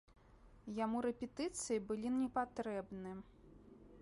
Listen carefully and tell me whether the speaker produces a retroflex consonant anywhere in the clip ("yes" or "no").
no